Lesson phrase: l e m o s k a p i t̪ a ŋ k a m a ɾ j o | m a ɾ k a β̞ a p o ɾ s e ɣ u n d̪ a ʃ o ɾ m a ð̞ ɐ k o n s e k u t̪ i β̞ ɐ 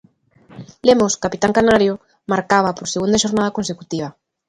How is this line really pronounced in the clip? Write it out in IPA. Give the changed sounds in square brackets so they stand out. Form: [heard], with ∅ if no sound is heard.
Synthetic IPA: l e m o s k a p i t̪ a ŋ k a [n] a ɾ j o | m a ɾ k a β̞ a p o ɾ s e ɣ u n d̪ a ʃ o ɾ [n] a ð̞ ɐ k o n s e k u t̪ i β̞ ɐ